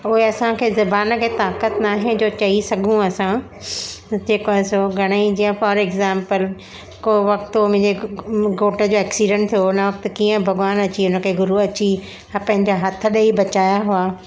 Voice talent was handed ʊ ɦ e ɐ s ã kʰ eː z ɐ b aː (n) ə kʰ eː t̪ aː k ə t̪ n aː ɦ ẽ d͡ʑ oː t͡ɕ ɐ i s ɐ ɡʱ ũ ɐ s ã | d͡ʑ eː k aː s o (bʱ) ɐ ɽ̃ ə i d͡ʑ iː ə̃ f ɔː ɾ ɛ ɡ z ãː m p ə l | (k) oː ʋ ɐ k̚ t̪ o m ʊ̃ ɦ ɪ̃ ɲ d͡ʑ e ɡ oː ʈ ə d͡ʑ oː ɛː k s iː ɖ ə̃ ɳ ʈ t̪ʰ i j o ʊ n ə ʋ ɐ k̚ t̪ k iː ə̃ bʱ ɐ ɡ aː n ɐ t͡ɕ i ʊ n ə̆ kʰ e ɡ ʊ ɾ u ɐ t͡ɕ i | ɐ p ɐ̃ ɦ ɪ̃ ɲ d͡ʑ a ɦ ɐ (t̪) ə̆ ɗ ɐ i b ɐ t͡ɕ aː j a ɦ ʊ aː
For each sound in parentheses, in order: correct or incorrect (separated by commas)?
correct, incorrect, correct, incorrect